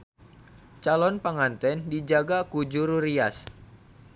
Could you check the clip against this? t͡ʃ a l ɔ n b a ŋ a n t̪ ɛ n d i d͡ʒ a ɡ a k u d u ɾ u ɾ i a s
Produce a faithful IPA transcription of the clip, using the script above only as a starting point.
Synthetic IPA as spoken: t͡ʃ a l ɔ n p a ŋ a n t̪ ɛ n d i d͡ʒ a ɡ a k u d͡ʒ u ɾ u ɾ i a s